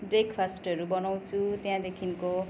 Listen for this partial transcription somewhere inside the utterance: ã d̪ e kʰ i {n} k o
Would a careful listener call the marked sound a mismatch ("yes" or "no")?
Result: no